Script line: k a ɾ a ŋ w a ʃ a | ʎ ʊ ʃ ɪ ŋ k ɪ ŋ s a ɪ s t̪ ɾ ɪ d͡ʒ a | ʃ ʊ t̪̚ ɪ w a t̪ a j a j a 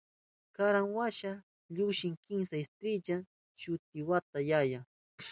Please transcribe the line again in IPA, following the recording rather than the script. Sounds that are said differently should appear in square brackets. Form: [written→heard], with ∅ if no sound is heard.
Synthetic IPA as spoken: k a ɾ a ŋ w a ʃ a | ʎ ʊ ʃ ɪ ŋ k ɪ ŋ s a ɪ s t̪ ɾ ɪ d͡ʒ a | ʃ ʊ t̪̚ ɪ w a t̪ a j a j a